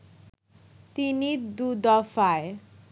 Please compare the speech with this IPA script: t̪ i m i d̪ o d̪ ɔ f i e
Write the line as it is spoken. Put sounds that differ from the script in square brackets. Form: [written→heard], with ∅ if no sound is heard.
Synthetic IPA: t̪ i [m→n] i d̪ [o→u] d̪ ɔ f [i→a] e